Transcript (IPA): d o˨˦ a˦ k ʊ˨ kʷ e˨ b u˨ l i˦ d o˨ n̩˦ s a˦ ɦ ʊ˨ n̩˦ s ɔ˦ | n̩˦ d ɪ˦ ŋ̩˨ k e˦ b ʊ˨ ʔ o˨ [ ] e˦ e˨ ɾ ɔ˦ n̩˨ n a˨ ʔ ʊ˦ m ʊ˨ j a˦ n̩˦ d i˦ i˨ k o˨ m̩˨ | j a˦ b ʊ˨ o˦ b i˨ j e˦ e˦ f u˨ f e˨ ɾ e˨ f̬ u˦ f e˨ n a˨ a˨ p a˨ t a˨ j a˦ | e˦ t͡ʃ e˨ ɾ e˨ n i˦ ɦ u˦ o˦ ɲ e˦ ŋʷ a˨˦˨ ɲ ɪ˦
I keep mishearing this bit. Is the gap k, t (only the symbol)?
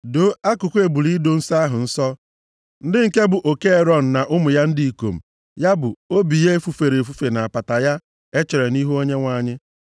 k